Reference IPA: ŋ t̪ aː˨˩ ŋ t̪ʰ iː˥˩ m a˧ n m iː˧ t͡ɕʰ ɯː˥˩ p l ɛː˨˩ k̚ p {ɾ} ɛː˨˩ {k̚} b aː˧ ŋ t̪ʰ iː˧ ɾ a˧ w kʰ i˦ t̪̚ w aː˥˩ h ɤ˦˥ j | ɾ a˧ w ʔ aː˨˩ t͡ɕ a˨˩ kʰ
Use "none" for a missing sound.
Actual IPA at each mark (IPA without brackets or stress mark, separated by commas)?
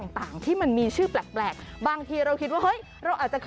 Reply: l, k̚